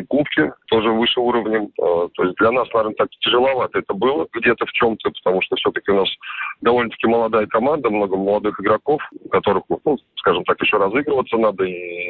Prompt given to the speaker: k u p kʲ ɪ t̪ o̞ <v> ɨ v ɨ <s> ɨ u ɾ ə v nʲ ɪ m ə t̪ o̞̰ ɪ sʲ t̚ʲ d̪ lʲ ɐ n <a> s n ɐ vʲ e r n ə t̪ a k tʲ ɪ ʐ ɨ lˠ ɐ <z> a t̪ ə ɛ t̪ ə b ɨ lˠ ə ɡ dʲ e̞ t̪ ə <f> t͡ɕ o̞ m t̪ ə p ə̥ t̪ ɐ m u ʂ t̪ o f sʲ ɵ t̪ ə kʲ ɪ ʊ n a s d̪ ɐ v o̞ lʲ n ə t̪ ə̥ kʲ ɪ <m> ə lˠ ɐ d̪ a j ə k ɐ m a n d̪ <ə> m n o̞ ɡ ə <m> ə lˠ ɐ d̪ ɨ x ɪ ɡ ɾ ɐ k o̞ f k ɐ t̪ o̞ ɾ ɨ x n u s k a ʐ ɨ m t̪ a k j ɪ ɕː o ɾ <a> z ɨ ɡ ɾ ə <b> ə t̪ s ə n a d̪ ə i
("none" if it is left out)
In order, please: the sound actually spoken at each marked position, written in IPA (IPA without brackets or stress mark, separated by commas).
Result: ʐ, ʂ, a, v, f, m, ə, m, ɐ, v